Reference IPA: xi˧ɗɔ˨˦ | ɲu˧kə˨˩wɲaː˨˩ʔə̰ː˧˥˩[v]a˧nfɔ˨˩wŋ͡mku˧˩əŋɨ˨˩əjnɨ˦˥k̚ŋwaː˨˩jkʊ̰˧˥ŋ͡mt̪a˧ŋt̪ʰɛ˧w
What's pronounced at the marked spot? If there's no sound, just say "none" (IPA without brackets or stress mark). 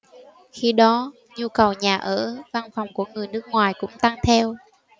v